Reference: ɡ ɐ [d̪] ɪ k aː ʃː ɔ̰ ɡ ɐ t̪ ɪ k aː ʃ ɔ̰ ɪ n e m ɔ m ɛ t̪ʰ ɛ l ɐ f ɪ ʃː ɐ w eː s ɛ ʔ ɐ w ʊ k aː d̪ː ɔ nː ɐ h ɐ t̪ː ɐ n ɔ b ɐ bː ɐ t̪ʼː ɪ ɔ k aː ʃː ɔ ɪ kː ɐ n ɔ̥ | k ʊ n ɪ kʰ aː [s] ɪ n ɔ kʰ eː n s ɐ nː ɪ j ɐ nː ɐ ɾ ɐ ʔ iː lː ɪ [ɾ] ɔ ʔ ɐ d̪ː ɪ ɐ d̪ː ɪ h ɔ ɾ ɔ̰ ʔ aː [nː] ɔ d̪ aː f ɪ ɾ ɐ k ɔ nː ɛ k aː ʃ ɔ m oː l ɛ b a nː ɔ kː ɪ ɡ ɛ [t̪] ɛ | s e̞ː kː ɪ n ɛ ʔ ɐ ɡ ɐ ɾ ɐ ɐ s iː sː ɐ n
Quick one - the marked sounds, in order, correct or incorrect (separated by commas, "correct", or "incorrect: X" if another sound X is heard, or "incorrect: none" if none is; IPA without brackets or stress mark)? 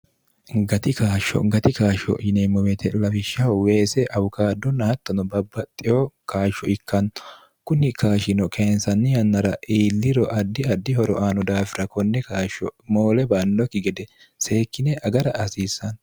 incorrect: t̪, incorrect: ʃ, correct, incorrect: n, incorrect: d̪